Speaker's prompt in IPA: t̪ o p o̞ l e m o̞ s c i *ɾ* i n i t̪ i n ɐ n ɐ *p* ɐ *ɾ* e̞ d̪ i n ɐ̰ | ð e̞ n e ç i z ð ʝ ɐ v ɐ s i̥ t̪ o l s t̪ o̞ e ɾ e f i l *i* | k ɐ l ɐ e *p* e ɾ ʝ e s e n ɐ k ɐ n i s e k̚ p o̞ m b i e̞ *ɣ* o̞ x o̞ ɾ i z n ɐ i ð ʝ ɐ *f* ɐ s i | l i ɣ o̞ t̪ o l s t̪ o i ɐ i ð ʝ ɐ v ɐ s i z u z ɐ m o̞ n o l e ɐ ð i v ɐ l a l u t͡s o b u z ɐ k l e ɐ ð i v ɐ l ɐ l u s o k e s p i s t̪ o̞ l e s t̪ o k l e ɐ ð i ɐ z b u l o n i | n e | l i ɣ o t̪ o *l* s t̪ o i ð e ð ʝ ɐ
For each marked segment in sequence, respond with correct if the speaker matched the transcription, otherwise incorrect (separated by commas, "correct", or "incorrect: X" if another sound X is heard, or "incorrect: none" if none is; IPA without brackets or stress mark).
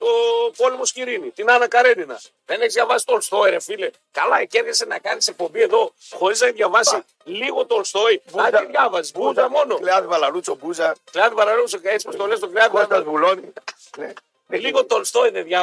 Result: correct, incorrect: k, correct, incorrect: e, incorrect: c, incorrect: ð, incorrect: v, correct